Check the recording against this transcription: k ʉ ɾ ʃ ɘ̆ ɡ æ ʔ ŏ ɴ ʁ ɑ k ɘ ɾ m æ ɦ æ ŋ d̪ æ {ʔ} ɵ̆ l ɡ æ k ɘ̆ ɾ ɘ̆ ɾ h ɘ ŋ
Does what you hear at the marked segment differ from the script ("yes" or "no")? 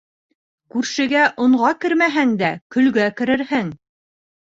yes